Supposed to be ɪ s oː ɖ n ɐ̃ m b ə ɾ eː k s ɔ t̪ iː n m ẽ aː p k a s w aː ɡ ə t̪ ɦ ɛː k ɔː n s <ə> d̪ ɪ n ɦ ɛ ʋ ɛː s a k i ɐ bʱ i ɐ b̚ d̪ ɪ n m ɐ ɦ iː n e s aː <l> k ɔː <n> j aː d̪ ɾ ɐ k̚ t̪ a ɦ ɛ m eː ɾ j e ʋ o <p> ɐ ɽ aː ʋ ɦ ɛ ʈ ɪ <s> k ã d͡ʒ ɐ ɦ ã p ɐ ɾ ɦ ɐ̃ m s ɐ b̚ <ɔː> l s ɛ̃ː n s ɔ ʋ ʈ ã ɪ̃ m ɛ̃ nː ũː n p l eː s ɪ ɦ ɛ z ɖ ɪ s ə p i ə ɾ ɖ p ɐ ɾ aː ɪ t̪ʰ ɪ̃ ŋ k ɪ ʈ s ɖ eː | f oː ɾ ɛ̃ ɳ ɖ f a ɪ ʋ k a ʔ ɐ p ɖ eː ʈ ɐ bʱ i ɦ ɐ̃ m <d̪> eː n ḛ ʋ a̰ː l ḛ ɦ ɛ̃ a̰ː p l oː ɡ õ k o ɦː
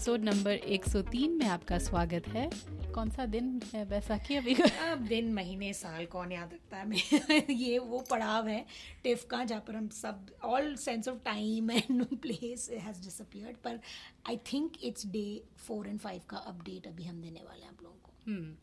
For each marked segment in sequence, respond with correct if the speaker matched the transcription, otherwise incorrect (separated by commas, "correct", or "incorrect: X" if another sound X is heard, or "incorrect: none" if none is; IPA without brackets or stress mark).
incorrect: a, correct, correct, correct, incorrect: f, correct, correct